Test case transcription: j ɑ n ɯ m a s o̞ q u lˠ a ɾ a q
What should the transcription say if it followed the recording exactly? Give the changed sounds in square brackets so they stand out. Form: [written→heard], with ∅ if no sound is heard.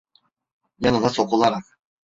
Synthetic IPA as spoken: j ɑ n ɯ [m→n] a s o̞ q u lˠ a ɾ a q